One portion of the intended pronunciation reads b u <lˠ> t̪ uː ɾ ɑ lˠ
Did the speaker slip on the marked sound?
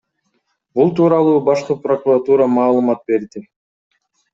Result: no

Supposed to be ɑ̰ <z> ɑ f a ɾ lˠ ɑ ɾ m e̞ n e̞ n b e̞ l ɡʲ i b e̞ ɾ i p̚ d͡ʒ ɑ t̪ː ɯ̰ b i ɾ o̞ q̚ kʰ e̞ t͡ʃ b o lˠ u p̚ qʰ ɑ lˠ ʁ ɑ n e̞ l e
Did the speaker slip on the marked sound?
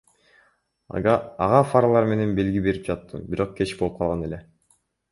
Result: yes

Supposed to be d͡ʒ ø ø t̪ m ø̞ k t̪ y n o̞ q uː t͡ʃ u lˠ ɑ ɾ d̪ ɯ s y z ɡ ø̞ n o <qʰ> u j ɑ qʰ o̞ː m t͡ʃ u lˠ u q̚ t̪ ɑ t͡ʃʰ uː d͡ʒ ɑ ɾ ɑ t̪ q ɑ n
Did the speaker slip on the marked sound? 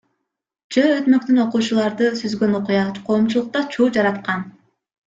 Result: yes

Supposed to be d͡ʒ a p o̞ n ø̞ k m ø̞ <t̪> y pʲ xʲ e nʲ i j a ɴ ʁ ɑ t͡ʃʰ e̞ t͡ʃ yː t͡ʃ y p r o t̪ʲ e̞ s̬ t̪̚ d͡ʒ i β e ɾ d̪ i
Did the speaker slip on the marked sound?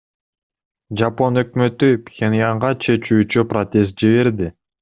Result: no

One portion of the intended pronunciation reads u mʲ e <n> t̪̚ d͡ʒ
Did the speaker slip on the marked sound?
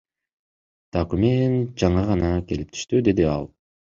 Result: no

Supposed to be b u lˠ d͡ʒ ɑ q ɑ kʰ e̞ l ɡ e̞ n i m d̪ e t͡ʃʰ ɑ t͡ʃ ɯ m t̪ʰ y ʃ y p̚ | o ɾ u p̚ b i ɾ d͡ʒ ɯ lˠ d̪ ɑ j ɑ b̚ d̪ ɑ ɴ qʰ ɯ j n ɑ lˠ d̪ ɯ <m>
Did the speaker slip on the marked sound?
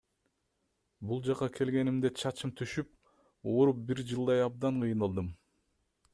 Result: no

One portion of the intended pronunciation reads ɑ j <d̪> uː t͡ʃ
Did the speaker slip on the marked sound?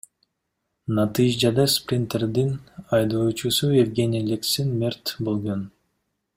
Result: no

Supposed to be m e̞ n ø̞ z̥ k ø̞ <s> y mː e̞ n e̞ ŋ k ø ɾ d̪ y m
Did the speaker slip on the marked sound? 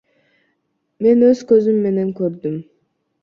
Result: yes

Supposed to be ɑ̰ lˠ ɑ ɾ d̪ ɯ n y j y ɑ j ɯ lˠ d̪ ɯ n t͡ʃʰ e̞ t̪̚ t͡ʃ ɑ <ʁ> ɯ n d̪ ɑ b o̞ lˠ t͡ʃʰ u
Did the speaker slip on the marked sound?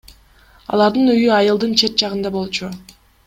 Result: no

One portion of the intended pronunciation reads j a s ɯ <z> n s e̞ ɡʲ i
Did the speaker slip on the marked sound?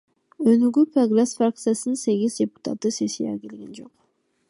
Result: yes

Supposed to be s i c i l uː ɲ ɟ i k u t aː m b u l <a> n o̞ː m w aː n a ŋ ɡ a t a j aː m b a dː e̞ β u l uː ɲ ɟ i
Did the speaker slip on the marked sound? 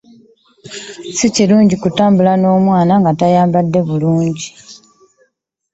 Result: no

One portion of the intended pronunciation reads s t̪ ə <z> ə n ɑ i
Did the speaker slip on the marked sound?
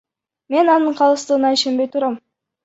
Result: yes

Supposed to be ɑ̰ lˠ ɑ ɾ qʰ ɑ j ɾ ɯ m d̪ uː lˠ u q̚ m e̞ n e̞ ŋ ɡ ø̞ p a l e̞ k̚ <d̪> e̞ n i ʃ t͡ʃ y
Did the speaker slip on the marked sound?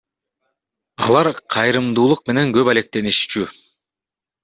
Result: yes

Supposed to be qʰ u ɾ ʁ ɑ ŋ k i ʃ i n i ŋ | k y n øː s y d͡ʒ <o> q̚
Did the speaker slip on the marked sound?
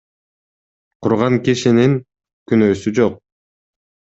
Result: no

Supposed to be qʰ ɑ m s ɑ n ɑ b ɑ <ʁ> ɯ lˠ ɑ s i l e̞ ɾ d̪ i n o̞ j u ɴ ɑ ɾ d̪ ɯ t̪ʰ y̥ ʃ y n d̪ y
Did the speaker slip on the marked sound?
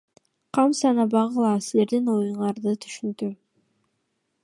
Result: no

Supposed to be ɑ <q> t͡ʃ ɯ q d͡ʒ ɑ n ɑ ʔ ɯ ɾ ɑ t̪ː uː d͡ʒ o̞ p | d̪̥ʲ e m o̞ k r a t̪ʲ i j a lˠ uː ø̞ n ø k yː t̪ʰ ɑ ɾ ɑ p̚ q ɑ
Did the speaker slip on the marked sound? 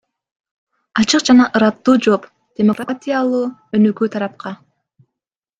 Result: yes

